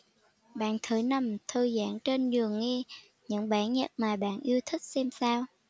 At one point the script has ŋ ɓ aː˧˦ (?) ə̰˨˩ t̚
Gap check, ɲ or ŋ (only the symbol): ɲ